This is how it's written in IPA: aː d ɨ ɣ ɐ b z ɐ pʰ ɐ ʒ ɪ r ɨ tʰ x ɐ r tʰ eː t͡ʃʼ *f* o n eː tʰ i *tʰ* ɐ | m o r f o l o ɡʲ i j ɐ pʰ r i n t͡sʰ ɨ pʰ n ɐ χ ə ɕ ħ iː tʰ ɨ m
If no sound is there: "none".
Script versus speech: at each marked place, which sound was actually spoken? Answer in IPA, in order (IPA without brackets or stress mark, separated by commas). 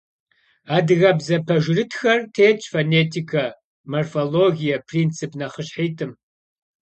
f, kʰ